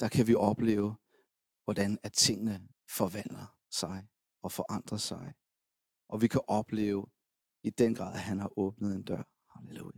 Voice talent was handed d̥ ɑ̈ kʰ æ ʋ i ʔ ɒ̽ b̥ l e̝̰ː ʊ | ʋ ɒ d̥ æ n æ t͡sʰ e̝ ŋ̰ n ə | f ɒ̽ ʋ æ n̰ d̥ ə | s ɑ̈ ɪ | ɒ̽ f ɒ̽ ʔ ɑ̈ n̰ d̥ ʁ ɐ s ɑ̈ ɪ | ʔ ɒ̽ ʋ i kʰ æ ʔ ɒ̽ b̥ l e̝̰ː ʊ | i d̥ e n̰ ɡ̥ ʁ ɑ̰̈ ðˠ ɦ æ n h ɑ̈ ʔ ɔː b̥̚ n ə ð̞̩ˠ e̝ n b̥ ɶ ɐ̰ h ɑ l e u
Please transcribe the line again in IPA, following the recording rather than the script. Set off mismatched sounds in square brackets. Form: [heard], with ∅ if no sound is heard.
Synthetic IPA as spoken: d̥ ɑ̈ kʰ æ ʋ i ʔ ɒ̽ b̥ l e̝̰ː ʊ | ʋ ɒ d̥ æ n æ t͡sʰ e̝ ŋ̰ n ə | f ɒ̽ ʋ æ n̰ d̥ [ɐ] | s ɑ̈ ɪ | ɒ̽ f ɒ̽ ʔ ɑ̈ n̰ d̥ ʁ ɐ s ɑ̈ ɪ | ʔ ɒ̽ ʋ i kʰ æ ʔ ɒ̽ b̥ l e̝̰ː ʊ | i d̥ e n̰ ɡ̥ ʁ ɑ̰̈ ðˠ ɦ æ n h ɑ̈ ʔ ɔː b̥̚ n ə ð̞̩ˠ e̝ n [d̥] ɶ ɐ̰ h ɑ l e u